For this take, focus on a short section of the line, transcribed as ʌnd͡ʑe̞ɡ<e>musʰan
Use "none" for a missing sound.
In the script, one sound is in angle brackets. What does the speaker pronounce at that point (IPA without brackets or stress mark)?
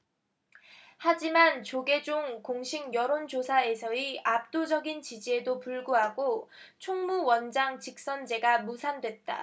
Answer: a